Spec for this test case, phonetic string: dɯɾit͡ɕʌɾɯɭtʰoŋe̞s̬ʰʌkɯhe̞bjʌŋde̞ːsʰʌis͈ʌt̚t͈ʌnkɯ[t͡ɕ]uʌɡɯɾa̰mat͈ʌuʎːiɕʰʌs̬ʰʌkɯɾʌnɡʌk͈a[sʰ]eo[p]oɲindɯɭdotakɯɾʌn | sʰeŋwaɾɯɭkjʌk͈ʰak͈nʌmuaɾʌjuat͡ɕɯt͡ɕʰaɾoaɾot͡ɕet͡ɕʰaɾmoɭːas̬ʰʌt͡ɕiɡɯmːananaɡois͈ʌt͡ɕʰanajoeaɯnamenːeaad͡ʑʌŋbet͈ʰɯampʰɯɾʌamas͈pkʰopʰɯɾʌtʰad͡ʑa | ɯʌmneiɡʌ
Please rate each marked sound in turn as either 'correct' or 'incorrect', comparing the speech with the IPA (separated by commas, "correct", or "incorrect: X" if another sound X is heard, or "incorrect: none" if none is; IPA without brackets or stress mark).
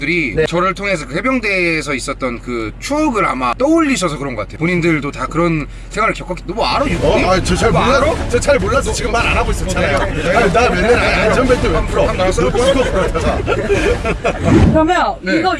incorrect: t͡ɕʰ, incorrect: tʰ, correct